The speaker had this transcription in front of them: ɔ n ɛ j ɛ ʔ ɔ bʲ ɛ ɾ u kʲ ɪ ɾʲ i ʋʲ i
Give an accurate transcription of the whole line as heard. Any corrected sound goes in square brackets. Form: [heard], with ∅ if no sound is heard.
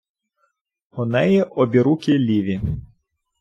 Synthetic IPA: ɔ n ɛ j ɛ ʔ ɔ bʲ [i] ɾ u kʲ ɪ [lʲ] i ʋʲ i